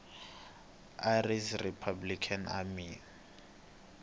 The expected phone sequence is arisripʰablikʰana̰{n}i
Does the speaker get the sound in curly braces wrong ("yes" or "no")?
yes